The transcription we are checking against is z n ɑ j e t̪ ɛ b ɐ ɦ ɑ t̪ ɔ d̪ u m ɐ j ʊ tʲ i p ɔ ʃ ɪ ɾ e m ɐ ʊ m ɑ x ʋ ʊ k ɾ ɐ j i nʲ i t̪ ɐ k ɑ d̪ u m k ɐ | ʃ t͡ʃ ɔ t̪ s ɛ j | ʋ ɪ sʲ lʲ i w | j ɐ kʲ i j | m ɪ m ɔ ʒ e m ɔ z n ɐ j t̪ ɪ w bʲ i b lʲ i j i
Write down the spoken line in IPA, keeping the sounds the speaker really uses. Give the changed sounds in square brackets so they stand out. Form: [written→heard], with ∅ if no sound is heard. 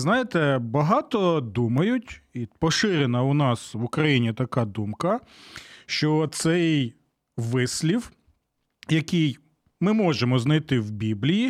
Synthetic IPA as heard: z n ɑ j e t̪ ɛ b ɐ ɦ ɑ t̪ ɔ d̪ u m ɐ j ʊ tʲ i p ɔ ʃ ɪ ɾ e [m→n] ɐ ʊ [m→n] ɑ [x→s] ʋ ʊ k ɾ ɐ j i nʲ i t̪ ɐ k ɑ d̪ u m k ɐ | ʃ t͡ʃ ɔ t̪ s ɛ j | ʋ ɪ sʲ lʲ i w | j ɐ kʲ i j | m ɪ m ɔ ʒ e m ɔ z n ɐ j t̪ ɪ w bʲ i b lʲ i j i